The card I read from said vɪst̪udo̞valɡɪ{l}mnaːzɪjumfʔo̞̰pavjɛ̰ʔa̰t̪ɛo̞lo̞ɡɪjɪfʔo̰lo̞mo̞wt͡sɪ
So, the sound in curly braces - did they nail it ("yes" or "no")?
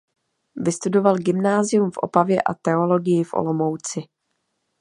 no